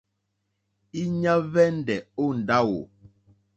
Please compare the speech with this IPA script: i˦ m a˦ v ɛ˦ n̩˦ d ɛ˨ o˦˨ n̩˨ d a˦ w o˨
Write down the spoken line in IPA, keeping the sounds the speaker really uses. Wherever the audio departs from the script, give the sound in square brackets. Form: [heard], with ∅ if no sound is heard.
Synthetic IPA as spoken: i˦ [ɲ] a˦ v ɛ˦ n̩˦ d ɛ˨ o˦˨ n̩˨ d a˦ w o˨

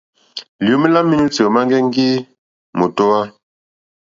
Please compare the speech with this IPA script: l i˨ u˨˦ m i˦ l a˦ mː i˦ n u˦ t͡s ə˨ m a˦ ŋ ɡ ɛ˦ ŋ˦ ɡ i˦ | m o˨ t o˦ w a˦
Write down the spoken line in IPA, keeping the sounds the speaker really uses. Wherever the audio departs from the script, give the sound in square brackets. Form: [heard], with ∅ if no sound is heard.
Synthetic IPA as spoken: l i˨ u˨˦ m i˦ l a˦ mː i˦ n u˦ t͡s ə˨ m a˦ ŋ ɡ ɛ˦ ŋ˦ ɡ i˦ | m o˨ t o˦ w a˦

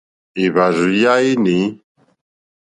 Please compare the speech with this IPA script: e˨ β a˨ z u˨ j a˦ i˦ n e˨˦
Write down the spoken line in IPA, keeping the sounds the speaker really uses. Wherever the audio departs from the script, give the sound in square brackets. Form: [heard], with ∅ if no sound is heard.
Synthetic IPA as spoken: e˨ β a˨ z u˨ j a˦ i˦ n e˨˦

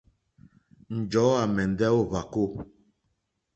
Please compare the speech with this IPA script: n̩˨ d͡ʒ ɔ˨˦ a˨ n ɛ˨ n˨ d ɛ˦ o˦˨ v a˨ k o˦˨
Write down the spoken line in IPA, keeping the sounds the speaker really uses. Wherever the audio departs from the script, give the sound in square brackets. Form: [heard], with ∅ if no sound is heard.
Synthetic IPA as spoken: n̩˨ d͡ʒ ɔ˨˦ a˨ [m] ɛ˨ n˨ d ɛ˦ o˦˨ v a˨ k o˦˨

